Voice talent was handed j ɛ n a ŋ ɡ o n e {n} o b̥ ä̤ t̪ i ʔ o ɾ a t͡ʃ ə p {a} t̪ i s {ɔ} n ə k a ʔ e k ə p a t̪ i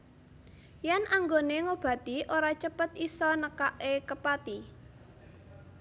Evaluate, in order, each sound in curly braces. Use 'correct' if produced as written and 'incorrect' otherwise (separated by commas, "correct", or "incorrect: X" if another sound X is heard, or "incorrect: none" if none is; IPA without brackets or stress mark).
incorrect: ŋ, incorrect: ə, correct